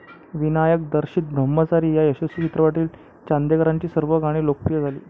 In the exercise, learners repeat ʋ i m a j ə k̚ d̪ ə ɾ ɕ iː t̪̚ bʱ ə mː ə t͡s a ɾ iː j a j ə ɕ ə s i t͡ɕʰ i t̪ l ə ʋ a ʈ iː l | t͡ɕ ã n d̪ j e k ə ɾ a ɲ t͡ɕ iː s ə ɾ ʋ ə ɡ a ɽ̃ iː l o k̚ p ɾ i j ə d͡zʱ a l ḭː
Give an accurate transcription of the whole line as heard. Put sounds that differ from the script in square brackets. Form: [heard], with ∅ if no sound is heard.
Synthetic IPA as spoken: ʋ i [n] a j ə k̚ d̪ ə ɾ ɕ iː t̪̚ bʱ ə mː ə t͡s a ɾ iː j a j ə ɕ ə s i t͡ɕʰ i t̪ [ɾ] ə ʋ a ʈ iː l | t͡ɕ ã n d̪ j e k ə ɾ a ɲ t͡ɕ iː s ə ɾ ʋ ə ɡ a ɽ̃ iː l o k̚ p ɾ i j ə d͡zʱ a l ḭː